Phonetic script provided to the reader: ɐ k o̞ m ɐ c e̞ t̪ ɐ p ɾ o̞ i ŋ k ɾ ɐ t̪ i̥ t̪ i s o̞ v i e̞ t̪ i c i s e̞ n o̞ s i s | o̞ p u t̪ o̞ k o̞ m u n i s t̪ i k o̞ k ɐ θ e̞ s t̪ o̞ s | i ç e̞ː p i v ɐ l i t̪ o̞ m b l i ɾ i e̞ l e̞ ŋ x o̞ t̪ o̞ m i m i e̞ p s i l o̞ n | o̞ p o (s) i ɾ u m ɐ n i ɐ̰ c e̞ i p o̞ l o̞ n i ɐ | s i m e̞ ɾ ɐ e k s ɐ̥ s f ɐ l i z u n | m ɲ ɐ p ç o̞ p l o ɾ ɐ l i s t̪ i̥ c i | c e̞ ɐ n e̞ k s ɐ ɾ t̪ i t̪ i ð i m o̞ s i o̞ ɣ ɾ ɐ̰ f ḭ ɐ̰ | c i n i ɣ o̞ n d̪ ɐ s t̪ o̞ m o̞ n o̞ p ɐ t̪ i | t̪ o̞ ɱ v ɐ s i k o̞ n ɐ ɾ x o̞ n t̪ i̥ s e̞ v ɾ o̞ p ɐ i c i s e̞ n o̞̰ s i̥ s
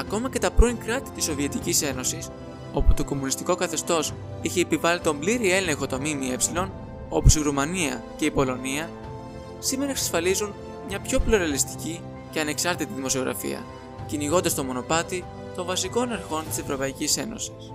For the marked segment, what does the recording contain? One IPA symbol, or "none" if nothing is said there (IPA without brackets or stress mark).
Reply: s